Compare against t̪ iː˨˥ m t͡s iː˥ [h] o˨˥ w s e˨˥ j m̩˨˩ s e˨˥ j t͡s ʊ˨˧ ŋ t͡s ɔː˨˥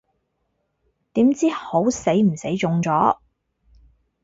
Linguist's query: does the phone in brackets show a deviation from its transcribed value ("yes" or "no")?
no